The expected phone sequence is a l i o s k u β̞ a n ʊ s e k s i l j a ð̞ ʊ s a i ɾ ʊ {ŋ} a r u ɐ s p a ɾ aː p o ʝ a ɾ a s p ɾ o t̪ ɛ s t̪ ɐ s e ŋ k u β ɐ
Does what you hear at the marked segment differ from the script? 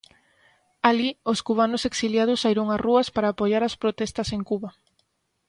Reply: no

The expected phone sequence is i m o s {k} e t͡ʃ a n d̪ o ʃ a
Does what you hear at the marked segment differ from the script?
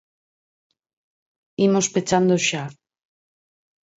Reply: yes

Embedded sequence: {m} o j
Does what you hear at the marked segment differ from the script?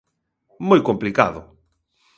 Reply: no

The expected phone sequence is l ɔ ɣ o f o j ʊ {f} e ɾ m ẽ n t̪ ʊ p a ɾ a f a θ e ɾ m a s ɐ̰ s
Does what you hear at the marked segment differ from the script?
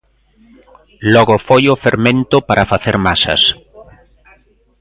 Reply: no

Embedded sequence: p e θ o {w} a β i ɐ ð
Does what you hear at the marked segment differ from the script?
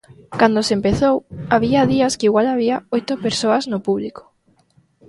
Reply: no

